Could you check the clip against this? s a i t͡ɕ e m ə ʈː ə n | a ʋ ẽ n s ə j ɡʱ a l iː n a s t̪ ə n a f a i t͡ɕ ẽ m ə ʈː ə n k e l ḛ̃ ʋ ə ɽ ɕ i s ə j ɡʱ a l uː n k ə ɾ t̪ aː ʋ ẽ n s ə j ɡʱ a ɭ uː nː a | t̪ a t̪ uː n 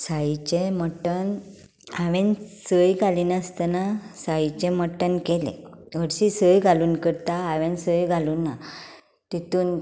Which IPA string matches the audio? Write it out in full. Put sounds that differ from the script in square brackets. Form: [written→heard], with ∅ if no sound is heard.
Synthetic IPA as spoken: s a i t͡ɕ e m ə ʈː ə n | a ʋ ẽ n s ə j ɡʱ a l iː n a s t̪ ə n a [f→s] a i t͡ɕ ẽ m ə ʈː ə n k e l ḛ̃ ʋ ə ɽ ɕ i s ə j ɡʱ a l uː n k ə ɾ t̪ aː ʋ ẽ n s ə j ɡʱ a [ɭ→l] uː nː a | t̪ [a→i] t̪ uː n